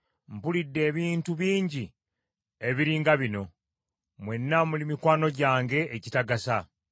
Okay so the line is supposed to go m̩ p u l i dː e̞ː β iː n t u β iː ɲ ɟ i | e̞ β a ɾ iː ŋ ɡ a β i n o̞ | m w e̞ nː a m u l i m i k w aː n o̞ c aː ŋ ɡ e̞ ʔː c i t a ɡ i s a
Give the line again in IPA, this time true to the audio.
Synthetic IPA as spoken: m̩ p u l i dː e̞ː β iː n t u β iː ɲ ɟ i | e̞ β i ɾ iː ŋ ɡ a β i n o̞ | m w e̞ nː a m u l i m i k w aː n o̞ ɟ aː ŋ ɡ e̞ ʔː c i t a ɡ a s a